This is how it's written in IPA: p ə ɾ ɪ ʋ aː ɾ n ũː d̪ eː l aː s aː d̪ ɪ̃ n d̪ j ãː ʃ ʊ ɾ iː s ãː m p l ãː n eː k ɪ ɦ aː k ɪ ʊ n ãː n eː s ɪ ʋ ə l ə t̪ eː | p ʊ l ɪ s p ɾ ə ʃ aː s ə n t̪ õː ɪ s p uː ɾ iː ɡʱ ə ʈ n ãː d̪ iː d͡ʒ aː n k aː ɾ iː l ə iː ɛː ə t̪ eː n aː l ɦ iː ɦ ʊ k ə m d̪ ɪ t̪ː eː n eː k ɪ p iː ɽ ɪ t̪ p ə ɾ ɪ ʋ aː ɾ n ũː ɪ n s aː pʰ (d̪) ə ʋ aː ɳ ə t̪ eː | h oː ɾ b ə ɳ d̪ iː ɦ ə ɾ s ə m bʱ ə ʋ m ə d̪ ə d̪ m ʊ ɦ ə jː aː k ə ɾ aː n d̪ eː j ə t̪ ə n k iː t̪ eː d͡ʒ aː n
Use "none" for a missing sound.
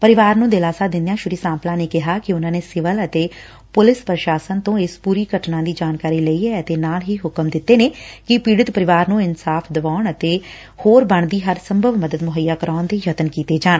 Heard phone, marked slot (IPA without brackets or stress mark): d̪